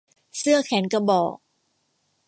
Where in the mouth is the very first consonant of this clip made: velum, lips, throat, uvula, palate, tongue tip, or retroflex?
tongue tip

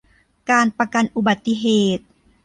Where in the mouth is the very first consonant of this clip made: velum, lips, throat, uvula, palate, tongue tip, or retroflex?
velum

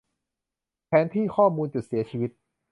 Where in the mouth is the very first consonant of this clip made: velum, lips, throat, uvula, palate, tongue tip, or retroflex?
lips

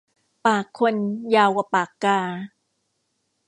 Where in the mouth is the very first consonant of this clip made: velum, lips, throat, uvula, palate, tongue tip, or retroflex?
lips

